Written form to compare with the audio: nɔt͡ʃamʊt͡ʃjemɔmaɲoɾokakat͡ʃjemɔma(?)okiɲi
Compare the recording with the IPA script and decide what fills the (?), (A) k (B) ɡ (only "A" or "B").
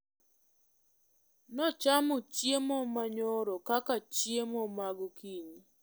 B